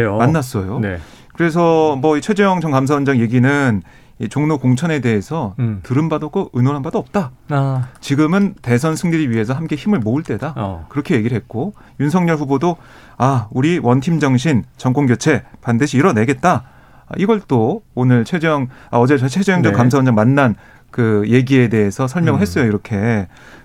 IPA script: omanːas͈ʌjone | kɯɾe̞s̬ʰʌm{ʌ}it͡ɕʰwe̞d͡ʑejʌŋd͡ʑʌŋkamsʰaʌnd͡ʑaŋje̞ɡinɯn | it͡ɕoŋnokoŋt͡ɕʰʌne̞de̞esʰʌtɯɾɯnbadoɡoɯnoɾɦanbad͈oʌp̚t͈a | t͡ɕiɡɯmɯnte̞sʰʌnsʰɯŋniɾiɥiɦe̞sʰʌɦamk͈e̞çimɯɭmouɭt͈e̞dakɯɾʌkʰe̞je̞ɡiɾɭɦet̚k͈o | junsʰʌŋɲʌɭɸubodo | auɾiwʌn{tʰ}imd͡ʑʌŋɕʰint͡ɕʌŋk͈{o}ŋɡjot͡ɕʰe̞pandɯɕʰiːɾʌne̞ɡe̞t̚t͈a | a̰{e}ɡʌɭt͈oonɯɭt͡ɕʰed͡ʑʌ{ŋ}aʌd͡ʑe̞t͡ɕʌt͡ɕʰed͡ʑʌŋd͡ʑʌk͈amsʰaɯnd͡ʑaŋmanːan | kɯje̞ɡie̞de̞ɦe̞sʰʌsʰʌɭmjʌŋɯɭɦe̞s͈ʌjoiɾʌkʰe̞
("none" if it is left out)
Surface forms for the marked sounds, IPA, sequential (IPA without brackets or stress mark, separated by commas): ʌ, tʰ, o, i, ŋ